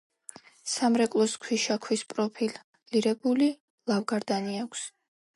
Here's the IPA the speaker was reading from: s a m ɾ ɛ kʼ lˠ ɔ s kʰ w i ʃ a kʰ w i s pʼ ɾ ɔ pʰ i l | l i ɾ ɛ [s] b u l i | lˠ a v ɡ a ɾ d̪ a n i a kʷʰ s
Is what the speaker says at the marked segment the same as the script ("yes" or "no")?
no